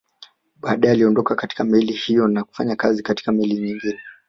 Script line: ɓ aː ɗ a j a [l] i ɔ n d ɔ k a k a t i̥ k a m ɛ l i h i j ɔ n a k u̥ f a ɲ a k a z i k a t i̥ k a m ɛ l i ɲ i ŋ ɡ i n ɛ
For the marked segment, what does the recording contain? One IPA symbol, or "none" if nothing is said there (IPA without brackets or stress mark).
l